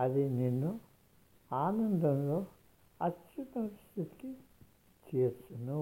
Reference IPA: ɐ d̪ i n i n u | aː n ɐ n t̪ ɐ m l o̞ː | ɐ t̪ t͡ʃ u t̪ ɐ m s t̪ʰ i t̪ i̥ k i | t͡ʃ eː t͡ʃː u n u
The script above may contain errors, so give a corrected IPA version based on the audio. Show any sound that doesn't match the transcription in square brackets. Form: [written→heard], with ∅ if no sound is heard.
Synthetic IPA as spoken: ɐ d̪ i n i [n→nː] u | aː n ɐ n [t̪→d̪] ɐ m l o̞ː | ɐ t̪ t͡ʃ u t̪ ɐ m s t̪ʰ i t̪ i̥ k i | t͡ʃ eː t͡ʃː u n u